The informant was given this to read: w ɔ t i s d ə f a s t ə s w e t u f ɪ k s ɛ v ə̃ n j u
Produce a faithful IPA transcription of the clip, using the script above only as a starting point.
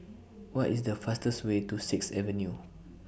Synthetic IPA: w ɔ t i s d ə f a s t ə s w e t u s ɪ k s ɛ v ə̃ n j u